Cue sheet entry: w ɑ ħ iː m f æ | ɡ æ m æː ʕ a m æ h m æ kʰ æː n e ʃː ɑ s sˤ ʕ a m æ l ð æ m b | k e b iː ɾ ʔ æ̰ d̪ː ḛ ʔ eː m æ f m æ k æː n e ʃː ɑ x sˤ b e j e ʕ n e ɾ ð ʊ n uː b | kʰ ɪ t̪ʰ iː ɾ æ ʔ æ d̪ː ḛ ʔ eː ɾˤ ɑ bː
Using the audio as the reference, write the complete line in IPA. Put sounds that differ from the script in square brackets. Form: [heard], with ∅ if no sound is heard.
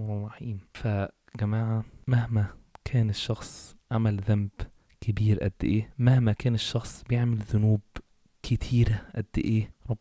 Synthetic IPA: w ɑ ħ iː m f æ | ɡ æ m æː ʕ a m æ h m æ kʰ æː n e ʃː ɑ [x] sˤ ʕ a m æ l ð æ m b | k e b iː ɾ ʔ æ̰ d̪ː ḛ ʔ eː m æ [h] m æ k æː n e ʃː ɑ x sˤ b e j e ʕ [m] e [l] ð ʊ n uː b | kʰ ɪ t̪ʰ iː ɾ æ ʔ æ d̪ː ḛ ʔ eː ɾˤ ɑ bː